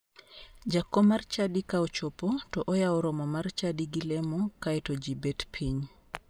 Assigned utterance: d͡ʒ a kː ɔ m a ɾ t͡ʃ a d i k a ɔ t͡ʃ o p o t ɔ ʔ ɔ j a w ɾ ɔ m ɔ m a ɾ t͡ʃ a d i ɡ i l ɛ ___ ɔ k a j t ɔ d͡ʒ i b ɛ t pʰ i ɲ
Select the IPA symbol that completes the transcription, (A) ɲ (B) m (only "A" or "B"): B